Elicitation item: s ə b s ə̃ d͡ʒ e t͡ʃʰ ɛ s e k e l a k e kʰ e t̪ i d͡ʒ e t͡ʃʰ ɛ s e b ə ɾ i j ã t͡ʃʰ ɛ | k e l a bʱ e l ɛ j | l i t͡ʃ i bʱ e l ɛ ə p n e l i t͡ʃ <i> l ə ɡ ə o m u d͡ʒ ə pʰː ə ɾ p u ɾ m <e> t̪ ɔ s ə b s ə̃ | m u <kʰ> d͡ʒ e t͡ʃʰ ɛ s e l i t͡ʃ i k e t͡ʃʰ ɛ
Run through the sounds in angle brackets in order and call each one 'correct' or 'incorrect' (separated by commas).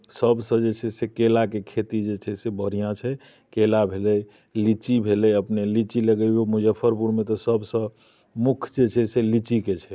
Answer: correct, correct, correct